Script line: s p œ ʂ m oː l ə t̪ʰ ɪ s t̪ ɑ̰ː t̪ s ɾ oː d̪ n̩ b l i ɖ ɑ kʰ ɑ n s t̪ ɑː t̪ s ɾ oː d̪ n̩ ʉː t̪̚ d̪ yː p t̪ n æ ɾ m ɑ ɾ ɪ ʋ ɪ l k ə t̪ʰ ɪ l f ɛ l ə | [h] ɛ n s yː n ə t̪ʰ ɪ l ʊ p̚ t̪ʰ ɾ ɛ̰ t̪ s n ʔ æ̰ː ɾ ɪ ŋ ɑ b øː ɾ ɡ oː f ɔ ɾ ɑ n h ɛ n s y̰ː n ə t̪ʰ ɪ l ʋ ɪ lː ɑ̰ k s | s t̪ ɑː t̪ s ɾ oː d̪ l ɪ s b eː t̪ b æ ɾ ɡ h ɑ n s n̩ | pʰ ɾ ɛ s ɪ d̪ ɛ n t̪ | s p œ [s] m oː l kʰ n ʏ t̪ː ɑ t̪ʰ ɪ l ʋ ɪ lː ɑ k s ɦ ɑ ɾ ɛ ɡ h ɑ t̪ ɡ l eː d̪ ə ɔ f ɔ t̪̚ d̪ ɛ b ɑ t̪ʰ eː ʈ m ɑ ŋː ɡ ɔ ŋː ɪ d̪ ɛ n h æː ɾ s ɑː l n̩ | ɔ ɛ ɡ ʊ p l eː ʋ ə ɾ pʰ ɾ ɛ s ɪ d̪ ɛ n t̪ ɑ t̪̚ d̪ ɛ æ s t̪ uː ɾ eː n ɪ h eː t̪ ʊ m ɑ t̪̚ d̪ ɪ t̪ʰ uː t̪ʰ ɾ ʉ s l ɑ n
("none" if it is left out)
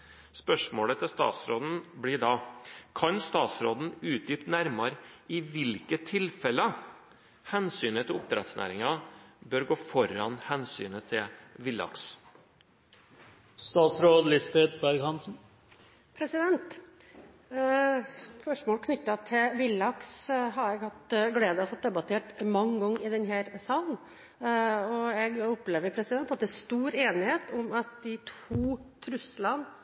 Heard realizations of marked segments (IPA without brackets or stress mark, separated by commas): h, ʂ